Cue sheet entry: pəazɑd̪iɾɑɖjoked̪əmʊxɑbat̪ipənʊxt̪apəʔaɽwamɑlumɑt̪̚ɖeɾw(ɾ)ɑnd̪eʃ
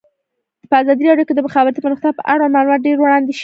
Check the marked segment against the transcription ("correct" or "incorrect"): incorrect